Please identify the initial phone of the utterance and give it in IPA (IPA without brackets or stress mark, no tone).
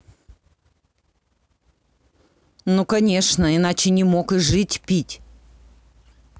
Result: n